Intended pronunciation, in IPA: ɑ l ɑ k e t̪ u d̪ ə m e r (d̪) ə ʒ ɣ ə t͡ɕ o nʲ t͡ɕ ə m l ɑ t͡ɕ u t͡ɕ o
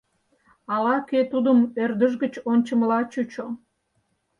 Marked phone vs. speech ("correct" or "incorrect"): correct